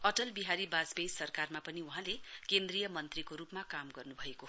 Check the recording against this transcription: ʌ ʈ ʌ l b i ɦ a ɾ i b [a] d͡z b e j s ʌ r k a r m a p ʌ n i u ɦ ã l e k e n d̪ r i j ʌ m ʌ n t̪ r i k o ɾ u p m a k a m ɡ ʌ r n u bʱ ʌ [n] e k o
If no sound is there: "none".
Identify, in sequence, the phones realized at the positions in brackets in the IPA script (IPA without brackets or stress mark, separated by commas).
a, none